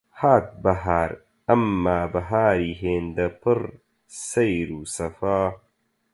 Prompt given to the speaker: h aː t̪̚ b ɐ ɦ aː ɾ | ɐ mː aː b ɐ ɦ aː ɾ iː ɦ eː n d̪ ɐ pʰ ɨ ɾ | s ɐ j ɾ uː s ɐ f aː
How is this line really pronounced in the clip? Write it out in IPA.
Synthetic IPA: h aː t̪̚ b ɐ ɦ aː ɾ | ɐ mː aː b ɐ ɦ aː ɾ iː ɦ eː n d̪ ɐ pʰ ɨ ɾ | s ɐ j ɾ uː s ɐ f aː